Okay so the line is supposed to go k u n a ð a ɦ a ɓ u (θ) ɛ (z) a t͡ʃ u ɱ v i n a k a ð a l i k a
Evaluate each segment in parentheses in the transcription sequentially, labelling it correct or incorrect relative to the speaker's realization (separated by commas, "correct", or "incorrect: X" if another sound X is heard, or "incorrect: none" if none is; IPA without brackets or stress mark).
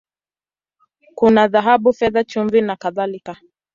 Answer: incorrect: f, incorrect: ð